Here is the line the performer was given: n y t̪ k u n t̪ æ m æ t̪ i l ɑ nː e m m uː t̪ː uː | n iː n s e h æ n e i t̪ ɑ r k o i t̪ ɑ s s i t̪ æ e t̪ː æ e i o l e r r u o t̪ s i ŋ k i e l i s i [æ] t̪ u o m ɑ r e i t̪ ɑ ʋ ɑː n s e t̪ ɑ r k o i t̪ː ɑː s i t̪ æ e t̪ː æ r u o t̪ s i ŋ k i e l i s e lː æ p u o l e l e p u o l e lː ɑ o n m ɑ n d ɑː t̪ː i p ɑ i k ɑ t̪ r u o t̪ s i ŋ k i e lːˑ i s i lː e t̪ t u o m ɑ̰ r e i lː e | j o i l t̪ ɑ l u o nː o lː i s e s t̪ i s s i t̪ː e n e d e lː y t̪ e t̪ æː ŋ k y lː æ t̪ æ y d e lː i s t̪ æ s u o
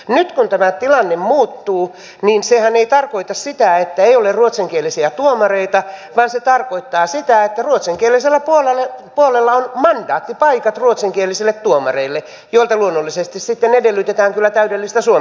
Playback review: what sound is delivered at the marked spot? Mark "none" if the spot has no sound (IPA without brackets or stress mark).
æ